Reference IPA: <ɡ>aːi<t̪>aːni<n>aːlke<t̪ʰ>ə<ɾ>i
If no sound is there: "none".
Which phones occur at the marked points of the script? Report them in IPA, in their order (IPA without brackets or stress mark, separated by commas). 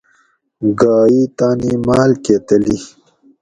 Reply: ɡ, t̪, m, t̪, l